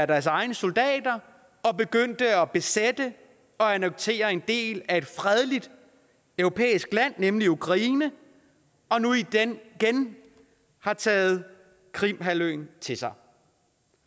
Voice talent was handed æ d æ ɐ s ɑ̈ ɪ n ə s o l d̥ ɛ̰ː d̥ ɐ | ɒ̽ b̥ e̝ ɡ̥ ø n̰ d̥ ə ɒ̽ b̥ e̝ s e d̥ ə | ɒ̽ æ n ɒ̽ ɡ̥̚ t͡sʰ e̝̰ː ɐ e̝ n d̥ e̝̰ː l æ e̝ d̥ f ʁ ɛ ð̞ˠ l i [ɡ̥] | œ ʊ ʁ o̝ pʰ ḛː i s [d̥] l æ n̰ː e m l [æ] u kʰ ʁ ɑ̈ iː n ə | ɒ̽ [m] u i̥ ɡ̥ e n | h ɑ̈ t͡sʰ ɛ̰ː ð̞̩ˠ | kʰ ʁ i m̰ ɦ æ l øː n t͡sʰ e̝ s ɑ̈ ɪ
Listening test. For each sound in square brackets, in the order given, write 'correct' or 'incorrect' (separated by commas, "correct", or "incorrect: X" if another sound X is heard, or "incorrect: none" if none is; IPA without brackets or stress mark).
incorrect: d̥, incorrect: ɡ̥, incorrect: i, incorrect: n